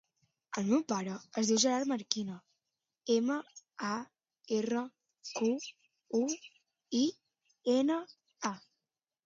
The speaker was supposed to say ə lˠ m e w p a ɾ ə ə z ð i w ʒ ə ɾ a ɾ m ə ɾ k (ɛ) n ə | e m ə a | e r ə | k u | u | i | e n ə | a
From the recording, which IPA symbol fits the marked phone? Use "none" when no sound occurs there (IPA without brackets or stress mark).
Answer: i